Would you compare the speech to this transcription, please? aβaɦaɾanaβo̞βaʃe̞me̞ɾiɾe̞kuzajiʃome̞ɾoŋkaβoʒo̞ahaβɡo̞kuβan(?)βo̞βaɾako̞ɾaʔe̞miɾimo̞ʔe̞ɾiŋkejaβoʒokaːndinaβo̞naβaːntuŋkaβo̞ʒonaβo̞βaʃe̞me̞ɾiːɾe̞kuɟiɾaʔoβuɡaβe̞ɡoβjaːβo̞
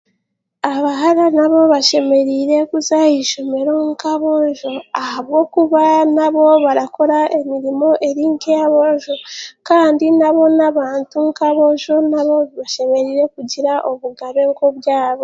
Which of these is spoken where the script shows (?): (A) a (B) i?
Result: A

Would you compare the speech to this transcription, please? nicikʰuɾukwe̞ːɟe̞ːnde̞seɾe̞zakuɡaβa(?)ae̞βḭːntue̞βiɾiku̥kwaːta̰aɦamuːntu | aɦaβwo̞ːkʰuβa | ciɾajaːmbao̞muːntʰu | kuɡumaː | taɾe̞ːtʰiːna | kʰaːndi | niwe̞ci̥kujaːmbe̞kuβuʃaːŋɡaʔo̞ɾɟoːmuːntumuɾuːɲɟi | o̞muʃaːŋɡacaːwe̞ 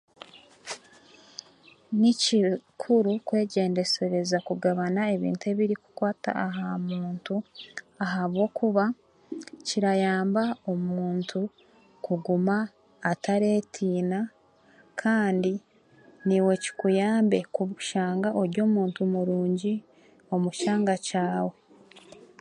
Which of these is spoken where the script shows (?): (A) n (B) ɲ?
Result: A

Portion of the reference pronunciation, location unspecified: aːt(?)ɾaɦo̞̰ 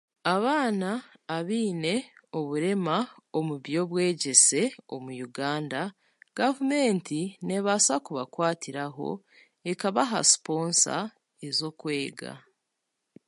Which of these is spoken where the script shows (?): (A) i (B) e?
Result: A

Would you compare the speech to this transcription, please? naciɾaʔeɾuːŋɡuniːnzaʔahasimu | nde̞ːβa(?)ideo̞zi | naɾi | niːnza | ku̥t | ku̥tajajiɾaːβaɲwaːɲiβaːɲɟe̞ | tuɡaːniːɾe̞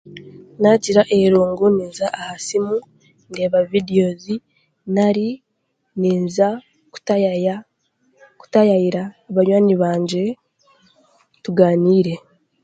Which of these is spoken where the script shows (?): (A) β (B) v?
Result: B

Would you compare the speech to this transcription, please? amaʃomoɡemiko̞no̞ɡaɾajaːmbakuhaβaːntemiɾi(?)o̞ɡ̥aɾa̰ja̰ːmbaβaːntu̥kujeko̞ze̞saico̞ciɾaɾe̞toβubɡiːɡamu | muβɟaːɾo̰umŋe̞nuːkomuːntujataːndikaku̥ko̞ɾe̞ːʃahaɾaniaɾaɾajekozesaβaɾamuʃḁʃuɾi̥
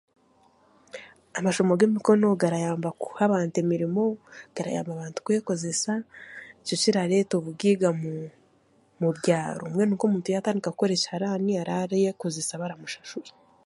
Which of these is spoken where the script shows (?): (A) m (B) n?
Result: A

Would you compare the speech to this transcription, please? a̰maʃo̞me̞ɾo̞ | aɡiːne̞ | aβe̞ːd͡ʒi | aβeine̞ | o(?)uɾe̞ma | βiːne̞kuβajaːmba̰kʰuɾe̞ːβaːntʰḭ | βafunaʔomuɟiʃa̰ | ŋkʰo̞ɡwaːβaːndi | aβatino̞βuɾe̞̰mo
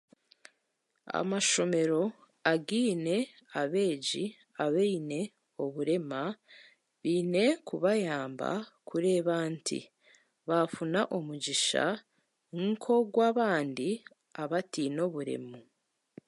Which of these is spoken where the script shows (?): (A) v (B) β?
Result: B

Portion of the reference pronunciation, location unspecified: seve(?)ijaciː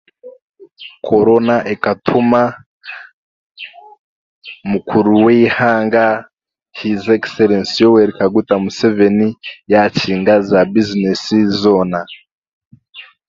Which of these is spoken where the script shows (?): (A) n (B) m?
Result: A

